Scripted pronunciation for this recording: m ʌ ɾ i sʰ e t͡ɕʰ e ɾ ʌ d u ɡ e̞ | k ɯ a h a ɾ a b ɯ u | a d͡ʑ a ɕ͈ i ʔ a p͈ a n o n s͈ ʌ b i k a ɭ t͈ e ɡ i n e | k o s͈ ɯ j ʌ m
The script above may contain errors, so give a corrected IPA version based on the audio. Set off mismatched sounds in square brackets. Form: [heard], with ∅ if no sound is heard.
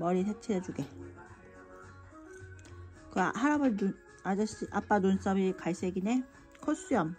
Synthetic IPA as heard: m ʌ ɾ i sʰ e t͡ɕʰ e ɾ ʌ [d͡ʑ] u ɡ e̞ | k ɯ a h a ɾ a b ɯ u | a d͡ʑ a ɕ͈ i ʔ a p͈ a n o n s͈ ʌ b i k a ɭ [s͈] e ɡ i n e | [kʰ] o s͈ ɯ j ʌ m